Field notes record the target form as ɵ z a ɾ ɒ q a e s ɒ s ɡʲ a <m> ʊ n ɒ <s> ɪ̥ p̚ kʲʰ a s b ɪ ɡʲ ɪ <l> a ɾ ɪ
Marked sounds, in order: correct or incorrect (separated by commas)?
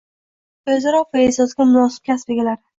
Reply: correct, correct, correct